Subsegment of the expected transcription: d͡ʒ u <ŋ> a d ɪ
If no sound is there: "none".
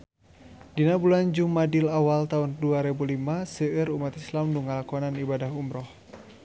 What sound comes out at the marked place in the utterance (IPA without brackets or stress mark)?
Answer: m